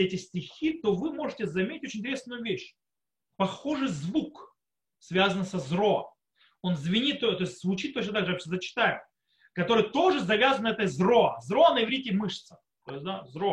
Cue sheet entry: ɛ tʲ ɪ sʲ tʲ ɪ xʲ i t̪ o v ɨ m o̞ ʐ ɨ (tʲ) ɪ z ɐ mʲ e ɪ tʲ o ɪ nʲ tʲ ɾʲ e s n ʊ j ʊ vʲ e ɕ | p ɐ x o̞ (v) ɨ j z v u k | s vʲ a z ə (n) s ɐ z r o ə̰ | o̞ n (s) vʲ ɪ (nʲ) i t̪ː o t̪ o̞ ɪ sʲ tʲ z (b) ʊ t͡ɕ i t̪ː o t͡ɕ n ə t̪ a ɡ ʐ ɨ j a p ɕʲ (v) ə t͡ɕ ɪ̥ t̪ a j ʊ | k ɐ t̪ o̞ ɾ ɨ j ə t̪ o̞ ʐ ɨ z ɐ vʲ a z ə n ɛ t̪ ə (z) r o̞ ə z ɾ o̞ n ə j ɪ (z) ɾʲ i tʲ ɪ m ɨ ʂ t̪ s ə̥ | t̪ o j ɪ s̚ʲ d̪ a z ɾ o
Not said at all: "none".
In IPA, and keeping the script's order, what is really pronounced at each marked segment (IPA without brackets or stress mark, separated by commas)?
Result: tʲ, ʐ, n, z, nʲ, v, z, z, v